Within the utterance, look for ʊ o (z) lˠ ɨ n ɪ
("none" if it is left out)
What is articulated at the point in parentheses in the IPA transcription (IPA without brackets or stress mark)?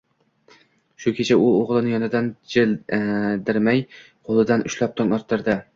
ʁ